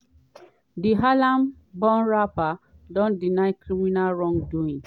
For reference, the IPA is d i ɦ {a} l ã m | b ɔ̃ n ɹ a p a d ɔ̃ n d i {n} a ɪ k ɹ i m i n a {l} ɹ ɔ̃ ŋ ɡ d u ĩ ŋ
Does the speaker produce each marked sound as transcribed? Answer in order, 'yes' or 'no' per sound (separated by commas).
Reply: yes, yes, yes